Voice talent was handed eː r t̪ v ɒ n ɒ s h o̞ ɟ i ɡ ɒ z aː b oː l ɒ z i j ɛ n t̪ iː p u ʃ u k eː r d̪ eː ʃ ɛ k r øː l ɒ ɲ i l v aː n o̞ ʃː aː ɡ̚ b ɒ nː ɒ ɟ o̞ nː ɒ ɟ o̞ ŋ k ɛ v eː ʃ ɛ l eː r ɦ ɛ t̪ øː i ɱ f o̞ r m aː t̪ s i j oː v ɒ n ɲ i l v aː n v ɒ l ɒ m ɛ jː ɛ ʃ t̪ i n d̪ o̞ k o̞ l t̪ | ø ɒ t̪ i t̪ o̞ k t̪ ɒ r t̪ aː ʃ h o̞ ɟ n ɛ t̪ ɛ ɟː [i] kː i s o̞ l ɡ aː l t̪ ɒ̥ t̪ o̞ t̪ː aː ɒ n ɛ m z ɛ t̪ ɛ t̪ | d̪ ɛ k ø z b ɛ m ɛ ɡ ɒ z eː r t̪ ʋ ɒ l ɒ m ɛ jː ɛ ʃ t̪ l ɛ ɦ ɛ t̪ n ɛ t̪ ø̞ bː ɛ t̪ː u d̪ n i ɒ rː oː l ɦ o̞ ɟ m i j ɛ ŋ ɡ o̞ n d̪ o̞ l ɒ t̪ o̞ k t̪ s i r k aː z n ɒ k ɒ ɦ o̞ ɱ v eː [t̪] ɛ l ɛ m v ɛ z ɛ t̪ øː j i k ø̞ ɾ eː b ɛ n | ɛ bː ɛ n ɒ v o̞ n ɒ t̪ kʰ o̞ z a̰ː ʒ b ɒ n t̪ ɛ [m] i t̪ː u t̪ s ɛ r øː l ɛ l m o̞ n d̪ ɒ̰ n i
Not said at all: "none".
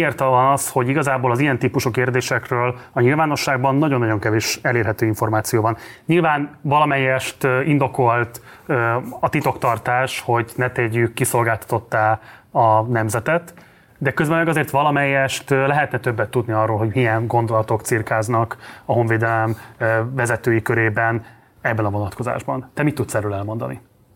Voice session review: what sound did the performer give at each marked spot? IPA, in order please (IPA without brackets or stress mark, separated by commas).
y, d̪, m